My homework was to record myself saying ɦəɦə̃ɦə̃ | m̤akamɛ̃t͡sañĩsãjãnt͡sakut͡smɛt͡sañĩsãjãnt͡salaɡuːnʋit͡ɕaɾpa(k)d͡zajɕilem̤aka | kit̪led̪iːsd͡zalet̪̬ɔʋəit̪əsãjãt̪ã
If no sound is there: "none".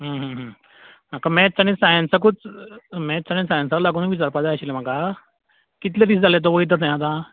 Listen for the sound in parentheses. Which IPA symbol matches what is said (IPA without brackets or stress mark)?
none